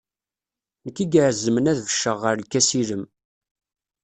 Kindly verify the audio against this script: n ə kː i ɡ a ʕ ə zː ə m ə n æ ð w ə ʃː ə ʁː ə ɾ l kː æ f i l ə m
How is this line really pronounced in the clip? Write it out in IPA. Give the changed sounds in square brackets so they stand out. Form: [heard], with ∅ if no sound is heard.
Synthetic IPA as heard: n ə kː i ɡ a ʕ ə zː ə m ə n æ ð [v] ə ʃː ə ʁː ə ɾ l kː æ [s] i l ə m

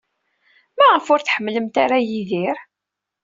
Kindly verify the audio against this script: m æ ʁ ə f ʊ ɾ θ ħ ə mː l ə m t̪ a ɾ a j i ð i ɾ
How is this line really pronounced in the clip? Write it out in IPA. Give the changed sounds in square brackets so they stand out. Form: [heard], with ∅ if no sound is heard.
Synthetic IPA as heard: m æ ʁ ə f ʊ ɾ θ ħ ə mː l ə m t̪ a ɾ a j i ð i ɾ

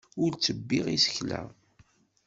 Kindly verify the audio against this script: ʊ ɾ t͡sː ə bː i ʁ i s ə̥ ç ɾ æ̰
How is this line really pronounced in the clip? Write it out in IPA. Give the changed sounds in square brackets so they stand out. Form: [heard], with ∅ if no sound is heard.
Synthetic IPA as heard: ʊ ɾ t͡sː ə bː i ʁ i s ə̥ ç [l] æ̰

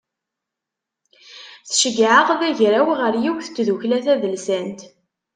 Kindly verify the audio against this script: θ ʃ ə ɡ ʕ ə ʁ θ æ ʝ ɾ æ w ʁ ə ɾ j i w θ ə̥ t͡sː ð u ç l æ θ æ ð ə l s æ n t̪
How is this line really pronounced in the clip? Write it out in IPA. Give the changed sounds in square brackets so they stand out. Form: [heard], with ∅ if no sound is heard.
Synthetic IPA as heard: θ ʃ ə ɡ ʕ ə ʁ [ð] æ ʝ ɾ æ w ʁ ə ɾ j i w θ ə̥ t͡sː ð u ç l æ θ æ ð ə l s æ n t̪

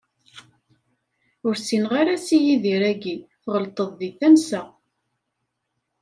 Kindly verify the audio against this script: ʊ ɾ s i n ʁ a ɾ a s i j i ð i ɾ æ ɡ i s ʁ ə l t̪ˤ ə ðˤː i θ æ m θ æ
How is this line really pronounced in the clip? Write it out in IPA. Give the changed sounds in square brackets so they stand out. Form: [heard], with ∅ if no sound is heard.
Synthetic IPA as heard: ʊ ɾ s i n ʁ a ɾ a s i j i ð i ɾ æ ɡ i [θ] ʁ ə l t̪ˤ ə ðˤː i θ æ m [s] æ

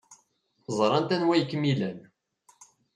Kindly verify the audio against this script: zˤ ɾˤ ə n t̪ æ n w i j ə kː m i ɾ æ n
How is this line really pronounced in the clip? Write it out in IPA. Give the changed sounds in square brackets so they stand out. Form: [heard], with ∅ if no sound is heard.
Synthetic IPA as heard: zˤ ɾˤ [ɑ] n t̪ æ n w [æ] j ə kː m i [l] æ n

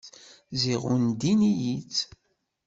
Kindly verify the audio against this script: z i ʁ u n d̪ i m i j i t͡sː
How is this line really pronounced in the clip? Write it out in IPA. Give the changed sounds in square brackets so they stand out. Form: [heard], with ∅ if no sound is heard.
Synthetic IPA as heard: z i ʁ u n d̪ i [n] i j i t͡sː

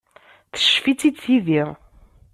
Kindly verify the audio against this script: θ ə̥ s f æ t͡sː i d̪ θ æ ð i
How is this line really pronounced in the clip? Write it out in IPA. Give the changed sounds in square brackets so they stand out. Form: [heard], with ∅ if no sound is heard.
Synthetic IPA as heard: θ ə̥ [ʃ] f [i] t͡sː i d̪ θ [i] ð i

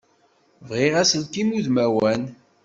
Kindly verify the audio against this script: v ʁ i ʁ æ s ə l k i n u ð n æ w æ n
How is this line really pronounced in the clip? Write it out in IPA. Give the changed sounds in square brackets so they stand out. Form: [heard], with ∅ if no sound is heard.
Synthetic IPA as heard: v ʁ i ʁ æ s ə l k i [m] u ð [m] æ w æ n

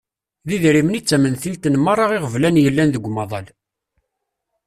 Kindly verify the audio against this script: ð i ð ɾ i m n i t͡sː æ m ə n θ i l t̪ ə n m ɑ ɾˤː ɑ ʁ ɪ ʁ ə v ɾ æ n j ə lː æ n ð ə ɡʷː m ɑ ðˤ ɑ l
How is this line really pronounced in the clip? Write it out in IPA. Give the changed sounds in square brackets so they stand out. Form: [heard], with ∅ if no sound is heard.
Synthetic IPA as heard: ð i ð ɾ i m n i t͡sː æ m ə n θ i l t̪ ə n m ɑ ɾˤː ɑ ʁ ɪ ʁ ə v [l] æ n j ə lː æ n ð ə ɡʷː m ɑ ðˤ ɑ l

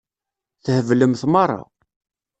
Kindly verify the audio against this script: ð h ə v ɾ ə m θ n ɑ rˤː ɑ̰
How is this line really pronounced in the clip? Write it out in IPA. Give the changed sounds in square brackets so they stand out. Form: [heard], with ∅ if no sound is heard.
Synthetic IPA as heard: [θ] h ə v [l] ə m θ [m] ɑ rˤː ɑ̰

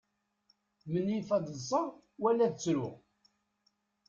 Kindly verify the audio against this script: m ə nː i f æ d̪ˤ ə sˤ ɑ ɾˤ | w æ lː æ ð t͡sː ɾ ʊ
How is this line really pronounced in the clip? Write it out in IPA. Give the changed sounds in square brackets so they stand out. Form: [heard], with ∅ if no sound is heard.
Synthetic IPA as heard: m ə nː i f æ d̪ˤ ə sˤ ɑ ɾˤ | w æ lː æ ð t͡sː ɾ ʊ

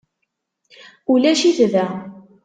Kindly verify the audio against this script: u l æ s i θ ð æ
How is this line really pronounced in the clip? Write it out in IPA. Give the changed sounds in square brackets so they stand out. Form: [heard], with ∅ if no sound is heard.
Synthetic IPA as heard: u l æ [ʃ] i θ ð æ

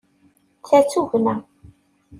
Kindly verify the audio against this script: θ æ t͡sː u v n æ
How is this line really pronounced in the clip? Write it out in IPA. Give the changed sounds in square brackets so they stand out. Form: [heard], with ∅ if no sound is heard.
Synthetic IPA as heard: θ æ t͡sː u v n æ

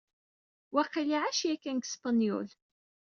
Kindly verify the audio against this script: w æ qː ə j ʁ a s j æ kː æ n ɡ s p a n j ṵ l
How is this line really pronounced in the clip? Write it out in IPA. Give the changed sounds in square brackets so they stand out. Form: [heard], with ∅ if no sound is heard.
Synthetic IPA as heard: w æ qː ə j [ʕ] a [ʃ] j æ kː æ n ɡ s p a n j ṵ l

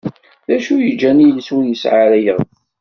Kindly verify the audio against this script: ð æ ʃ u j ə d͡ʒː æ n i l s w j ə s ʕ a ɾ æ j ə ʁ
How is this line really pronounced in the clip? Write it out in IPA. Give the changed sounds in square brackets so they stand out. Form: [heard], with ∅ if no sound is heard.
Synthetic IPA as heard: ð æ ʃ u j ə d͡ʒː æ n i l s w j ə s ʕ a ɾ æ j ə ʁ

